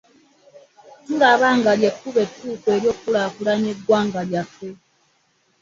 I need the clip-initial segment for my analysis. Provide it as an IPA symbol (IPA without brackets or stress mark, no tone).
t